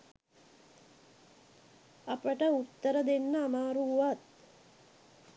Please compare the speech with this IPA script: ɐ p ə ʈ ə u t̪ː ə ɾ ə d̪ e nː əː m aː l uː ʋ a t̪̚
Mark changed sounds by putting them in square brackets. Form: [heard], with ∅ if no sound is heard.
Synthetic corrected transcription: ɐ p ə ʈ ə u t̪ː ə ɾ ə d̪ e nː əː m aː [ɾ] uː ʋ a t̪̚